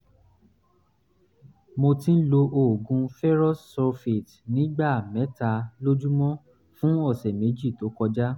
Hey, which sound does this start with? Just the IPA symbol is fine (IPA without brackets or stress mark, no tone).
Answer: m